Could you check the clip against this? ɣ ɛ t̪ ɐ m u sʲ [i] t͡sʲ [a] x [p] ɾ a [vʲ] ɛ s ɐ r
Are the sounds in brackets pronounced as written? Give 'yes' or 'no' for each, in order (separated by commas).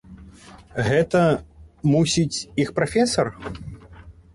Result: yes, no, yes, no